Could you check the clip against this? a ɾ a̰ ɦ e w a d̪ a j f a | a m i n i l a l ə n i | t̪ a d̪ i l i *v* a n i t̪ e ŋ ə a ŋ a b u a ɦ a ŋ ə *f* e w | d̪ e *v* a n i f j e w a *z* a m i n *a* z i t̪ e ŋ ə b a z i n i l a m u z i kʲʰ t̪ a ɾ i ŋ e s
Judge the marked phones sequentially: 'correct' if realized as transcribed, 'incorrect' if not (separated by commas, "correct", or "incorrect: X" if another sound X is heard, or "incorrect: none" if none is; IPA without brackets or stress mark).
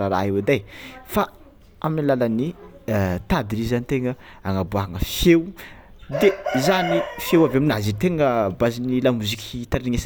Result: incorrect: z, correct, incorrect: z, incorrect: v, correct